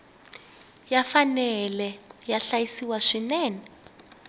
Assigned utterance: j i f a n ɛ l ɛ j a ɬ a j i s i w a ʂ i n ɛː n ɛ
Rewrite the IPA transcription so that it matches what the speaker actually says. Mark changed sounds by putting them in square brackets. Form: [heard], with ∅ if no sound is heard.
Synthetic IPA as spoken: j [a] f a n ɛ l ɛ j a ɬ a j i s i w a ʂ i n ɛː n ɛ